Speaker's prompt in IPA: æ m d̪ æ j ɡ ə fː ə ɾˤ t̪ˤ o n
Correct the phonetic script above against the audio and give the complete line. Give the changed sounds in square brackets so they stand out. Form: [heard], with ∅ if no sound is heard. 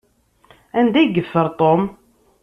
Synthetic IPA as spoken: æ [n] d̪ æ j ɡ ə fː ə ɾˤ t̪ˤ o [m]